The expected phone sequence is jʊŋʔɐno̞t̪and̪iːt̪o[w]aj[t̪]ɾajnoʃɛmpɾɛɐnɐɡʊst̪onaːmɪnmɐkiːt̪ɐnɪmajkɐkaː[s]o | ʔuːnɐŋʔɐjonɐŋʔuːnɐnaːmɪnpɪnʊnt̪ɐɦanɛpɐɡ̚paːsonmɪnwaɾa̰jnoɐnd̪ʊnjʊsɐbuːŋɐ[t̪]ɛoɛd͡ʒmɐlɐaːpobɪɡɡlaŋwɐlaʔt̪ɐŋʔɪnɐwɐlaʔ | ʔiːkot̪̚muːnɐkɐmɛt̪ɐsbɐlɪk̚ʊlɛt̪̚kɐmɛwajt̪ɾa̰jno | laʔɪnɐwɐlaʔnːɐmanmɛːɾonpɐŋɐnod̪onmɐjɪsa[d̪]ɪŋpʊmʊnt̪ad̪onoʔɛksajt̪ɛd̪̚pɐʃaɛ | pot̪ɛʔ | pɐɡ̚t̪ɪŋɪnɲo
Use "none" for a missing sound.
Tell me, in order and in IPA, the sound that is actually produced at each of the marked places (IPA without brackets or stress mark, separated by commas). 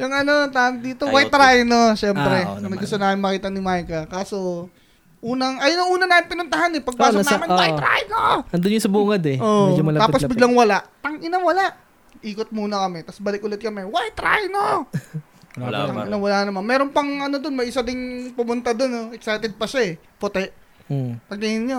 w, t̪, s, d̪, d̪